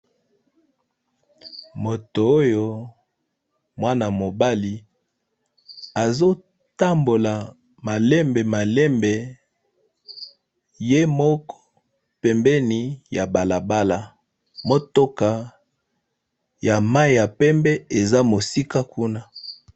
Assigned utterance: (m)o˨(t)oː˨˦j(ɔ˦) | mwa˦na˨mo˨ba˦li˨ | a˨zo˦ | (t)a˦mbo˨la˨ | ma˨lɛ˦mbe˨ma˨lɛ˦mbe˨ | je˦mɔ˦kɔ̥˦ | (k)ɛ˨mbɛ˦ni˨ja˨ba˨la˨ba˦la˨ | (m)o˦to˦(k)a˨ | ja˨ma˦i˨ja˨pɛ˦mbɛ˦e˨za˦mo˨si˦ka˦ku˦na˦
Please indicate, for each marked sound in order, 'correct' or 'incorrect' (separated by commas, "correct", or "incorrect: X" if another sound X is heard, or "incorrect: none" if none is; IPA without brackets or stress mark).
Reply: correct, correct, incorrect: o˦, correct, incorrect: p, correct, correct